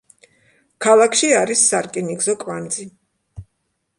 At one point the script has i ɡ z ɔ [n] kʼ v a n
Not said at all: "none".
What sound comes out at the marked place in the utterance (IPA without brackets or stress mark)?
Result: none